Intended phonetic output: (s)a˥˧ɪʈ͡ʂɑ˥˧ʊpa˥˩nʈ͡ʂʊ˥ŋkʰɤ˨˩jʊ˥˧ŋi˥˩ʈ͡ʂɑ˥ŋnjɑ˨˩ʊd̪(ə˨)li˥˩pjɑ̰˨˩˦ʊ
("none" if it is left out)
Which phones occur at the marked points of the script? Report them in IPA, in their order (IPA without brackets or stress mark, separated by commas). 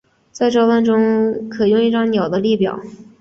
t͡s, ə˦